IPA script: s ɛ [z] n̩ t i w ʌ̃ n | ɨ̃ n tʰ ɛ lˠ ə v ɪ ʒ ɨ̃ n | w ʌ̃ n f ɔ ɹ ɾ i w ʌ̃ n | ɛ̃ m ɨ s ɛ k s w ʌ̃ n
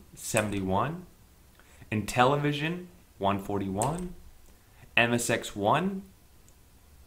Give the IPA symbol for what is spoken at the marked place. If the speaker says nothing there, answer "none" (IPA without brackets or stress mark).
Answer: v